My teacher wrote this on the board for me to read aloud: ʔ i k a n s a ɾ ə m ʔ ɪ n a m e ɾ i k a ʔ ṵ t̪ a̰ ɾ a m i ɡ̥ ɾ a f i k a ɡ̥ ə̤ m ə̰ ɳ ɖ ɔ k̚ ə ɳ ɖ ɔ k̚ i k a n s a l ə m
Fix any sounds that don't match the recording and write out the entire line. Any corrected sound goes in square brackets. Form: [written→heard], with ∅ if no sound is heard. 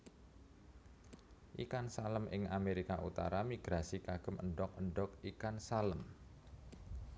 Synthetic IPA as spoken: ʔ i k a n s a [ɾ→l] ə m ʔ ɪ [n→ŋ] a m e ɾ i k a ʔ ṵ t̪ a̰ ɾ a m i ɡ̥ ɾ a [f→s] i k a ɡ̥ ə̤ m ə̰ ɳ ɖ ɔ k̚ ə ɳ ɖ ɔ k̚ i k a n s a l ə m